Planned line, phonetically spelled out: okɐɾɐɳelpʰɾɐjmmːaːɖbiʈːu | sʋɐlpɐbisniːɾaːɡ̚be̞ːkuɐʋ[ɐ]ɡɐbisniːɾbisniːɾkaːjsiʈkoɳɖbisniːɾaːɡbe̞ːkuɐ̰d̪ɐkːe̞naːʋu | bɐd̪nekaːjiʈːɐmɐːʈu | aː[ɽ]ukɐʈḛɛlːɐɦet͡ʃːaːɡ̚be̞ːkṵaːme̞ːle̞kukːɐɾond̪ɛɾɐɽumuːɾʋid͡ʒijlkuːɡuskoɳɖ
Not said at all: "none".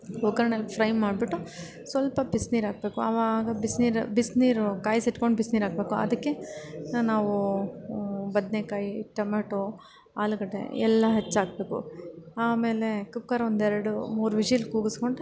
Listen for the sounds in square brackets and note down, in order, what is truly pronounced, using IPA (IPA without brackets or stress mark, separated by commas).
a, l